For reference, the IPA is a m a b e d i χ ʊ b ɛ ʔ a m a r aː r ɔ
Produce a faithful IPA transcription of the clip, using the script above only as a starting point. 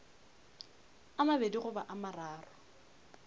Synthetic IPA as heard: a m a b e d i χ ʊ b a ʔ a m a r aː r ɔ